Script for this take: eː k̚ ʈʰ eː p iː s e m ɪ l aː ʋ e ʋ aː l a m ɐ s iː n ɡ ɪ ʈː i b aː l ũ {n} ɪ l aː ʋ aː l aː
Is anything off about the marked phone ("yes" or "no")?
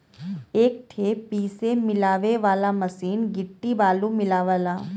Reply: yes